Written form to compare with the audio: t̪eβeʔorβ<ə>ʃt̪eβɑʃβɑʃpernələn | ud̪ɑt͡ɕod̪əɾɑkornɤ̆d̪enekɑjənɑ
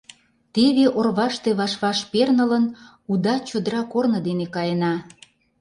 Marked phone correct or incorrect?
incorrect